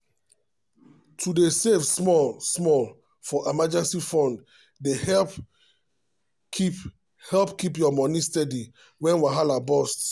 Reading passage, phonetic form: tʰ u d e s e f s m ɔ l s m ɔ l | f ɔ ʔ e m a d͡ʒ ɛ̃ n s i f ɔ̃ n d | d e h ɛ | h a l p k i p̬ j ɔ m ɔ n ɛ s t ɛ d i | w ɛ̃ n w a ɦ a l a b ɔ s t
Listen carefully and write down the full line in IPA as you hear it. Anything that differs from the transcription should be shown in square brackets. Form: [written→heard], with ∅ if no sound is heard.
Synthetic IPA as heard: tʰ u d e s e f s m ɔ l s m ɔ l | f ɔ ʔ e m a d͡ʒ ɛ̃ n s i f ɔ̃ n d | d e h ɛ | h [a→ɛ] l p k i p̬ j ɔ m ɔ n [ɛ→i] s t ɛ d i | w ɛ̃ n w a ɦ a l a b ɔ s t